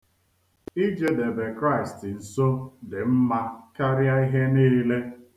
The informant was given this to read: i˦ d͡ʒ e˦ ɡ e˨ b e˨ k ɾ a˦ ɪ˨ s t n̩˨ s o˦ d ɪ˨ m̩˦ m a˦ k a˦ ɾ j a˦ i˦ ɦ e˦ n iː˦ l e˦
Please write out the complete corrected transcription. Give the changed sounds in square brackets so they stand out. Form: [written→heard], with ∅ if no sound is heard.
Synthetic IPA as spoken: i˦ d͡ʒ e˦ [ɡ→d] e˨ b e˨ k ɾ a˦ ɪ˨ s t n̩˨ s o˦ d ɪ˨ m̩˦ m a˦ k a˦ ɾ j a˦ i˦ ɦ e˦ n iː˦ l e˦